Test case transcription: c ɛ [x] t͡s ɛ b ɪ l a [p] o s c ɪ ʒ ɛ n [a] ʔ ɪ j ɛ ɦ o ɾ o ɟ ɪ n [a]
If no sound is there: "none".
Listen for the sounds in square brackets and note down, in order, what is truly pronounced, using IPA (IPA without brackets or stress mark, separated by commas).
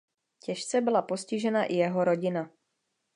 ʃ, p, a, a